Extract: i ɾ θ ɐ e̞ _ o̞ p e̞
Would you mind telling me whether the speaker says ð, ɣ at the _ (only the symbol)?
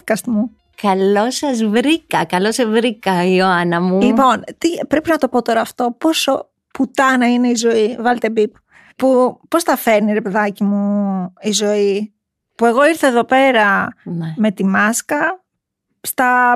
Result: ð